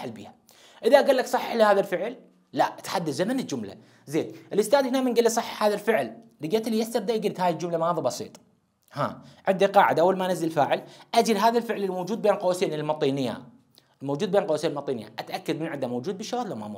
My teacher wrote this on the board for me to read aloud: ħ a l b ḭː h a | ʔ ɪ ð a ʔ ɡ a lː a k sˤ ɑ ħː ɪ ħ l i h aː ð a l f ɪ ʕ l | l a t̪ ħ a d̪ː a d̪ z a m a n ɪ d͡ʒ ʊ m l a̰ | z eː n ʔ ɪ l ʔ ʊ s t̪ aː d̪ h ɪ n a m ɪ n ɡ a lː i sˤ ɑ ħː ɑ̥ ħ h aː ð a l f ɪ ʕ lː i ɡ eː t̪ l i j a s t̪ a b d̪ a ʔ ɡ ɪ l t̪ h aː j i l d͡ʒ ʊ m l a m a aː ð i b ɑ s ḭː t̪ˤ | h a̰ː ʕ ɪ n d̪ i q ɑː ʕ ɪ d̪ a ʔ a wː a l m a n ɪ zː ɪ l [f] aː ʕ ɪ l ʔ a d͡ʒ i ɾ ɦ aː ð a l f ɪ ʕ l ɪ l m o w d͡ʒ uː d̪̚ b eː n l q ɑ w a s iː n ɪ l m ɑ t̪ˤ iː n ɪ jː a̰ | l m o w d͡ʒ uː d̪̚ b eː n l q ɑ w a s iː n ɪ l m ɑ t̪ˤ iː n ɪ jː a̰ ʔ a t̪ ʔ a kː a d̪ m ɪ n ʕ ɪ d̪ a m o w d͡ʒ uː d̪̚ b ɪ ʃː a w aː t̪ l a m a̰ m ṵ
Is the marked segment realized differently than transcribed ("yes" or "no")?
no